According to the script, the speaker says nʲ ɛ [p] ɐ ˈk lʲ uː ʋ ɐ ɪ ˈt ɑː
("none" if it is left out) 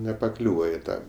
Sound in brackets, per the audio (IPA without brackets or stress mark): p